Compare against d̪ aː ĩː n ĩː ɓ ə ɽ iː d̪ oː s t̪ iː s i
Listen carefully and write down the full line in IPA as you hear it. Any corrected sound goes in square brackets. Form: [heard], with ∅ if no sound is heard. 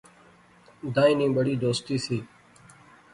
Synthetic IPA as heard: d̪ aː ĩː n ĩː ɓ ə ɽ iː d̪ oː s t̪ iː s [iː]